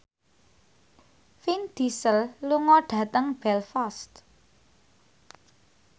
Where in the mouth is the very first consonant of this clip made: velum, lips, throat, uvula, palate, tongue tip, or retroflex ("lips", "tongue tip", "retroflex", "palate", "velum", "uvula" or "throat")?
lips